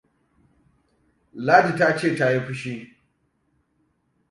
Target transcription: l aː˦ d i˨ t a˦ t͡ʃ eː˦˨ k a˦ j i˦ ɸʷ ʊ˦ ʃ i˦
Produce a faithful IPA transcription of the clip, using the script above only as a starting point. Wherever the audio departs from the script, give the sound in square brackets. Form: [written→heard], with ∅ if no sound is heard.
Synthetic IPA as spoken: l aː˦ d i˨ t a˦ t͡ʃ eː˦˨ [k→t] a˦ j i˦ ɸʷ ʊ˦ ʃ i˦